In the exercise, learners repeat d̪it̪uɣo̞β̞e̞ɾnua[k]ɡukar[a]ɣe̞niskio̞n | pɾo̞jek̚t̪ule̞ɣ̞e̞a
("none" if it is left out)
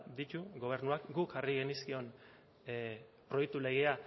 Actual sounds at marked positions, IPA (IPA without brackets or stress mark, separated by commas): k, i